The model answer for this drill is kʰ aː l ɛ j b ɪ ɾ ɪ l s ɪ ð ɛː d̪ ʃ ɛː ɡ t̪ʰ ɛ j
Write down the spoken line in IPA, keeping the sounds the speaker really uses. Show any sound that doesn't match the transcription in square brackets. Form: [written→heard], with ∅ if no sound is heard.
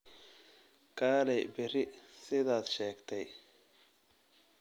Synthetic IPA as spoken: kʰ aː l ɛ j b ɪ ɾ ɪ [l→∅] s ɪ ð [ɛː→aː] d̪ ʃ ɛː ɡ t̪ʰ ɛ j